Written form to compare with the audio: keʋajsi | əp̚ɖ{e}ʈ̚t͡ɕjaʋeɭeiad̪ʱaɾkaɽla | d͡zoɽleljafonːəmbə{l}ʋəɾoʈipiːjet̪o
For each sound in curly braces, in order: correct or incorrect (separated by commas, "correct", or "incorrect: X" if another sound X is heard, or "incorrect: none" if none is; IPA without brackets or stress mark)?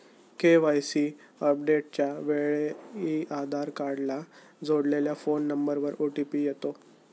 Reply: correct, incorrect: ɾ